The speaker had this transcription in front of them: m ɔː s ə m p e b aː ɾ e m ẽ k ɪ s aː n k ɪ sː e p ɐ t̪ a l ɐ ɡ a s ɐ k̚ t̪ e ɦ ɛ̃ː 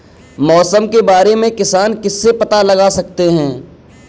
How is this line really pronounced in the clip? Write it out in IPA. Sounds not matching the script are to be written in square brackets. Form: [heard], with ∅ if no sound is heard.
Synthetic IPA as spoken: m ɔː s ə m [k] e b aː ɾ e m ẽ k ɪ s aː n k ɪ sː e p ɐ t̪ a l ɐ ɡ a s ɐ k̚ t̪ e ɦ ɛ̃ː